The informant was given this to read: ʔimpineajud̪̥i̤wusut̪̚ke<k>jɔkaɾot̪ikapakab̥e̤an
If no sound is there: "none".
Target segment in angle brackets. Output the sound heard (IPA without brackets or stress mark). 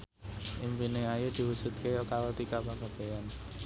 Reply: none